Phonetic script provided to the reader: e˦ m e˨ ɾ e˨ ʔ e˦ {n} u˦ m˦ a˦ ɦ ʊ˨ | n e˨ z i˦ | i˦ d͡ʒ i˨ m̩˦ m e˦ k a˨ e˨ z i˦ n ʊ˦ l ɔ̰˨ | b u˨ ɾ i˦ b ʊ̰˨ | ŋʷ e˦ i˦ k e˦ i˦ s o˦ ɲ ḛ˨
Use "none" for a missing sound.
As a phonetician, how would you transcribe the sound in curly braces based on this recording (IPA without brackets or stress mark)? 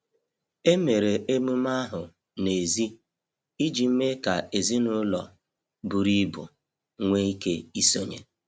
m